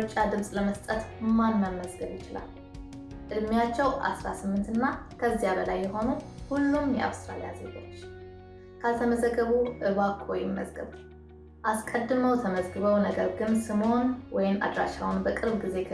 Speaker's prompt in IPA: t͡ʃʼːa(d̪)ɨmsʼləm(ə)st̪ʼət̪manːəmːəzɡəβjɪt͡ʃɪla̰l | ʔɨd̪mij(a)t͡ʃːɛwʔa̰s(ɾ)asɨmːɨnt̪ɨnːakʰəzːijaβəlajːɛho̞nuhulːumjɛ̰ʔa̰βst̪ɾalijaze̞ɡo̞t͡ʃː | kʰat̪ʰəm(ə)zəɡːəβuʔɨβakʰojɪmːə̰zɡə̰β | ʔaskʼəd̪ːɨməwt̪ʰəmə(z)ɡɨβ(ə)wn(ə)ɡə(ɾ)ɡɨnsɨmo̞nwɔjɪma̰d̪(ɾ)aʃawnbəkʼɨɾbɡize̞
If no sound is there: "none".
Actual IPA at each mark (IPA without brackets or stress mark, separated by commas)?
d̪, ə, a, ɾ, ə, z, ə, ə, ɾ, ɾ